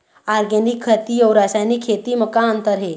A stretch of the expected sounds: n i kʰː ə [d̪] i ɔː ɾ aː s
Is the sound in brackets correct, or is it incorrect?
incorrect